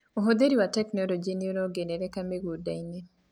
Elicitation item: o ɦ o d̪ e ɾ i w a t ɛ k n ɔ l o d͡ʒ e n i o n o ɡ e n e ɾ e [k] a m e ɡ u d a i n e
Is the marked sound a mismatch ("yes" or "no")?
no